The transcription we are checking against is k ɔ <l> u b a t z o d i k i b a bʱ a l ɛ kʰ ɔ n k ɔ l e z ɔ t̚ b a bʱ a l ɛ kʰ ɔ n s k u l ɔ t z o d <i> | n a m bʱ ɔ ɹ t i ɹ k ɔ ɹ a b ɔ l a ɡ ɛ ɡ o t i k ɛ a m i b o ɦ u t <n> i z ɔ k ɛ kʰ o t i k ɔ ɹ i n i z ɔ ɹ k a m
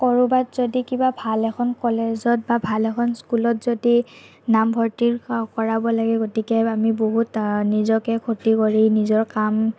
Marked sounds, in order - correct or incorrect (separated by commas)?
incorrect, correct, correct